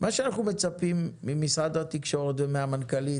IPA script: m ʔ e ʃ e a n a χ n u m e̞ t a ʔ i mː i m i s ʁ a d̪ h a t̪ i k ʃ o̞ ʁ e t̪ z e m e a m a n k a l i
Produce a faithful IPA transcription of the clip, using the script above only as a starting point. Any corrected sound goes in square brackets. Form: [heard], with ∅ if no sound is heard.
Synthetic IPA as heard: m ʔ [a] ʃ e a n a χ n u m e̞ [t͡s] a [p] i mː i m i s ʁ a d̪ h a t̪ i k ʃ o̞ ʁ e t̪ [v] e m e a m a n k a l i